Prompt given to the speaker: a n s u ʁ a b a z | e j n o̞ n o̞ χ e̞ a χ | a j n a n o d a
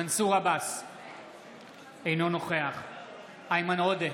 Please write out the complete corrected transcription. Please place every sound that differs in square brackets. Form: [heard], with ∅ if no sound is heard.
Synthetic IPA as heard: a n s u ʁ a b a [s] | e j n o̞ n o̞ χ e̞ a χ | a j [m] a n o d [e]